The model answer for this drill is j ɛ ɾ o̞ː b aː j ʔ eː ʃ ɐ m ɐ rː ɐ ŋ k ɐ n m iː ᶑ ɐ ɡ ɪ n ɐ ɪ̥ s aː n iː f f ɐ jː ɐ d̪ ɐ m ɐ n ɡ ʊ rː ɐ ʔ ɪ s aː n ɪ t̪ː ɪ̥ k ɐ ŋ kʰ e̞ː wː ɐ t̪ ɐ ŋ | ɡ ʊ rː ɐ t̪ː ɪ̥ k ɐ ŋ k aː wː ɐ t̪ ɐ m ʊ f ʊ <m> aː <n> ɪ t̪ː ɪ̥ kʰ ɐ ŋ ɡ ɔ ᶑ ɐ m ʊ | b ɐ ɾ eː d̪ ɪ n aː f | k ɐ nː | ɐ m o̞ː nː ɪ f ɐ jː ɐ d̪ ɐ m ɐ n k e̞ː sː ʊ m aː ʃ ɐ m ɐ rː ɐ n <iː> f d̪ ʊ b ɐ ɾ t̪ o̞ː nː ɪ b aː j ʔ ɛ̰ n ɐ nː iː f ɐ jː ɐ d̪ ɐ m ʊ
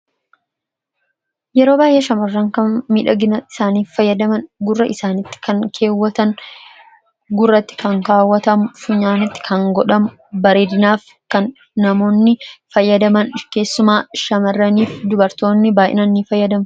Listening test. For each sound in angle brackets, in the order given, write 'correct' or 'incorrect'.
incorrect: ɲ, correct, correct

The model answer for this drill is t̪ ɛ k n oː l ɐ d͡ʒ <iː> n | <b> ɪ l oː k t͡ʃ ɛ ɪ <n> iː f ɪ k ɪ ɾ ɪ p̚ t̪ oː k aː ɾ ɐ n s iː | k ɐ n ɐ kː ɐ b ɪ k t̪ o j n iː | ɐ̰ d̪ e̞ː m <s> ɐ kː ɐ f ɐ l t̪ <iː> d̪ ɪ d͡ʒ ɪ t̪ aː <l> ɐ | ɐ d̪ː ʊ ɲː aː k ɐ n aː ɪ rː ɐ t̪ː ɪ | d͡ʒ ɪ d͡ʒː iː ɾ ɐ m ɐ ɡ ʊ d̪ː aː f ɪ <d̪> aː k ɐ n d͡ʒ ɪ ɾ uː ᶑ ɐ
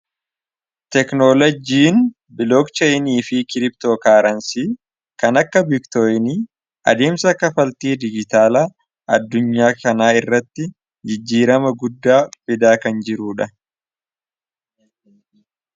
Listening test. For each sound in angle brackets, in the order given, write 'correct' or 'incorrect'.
correct, correct, correct, correct, correct, correct, correct

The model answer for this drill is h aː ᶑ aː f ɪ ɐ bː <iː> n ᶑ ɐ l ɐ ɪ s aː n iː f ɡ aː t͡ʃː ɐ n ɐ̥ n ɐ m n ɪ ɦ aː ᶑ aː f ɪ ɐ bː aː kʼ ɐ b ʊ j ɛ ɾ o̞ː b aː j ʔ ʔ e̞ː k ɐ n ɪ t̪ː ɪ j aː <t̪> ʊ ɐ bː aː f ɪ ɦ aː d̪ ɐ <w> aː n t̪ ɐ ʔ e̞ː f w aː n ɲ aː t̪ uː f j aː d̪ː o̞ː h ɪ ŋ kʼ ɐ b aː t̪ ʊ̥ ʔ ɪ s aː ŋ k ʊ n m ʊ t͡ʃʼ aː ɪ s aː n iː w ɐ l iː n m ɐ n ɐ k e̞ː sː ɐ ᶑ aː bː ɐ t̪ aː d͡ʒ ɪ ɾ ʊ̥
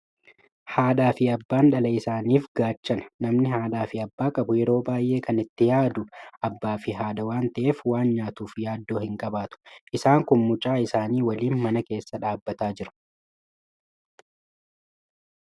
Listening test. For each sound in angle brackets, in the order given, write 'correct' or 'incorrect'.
incorrect: aː, incorrect: d̪, correct

